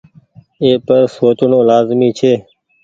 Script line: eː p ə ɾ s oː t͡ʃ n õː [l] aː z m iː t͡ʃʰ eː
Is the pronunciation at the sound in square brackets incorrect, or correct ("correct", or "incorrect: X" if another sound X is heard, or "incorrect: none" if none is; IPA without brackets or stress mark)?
correct